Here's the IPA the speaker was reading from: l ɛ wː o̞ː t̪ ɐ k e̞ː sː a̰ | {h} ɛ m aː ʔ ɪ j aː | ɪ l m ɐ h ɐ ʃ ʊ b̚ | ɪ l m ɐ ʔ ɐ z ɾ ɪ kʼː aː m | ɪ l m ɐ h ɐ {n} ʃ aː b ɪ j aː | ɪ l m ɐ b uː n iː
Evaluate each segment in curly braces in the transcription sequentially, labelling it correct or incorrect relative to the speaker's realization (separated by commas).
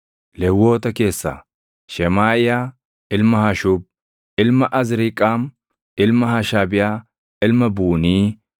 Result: incorrect, incorrect